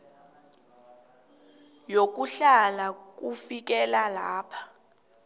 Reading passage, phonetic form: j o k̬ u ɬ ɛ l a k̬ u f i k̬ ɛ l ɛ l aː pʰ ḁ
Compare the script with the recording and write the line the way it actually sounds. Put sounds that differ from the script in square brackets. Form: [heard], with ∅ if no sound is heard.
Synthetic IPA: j o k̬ u ɬ [a] l a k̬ u f i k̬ ɛ l [a] l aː pʰ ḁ